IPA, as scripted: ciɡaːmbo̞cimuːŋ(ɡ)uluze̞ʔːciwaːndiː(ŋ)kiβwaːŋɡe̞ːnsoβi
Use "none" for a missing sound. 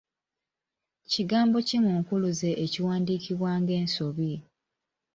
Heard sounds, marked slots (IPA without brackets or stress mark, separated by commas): k, none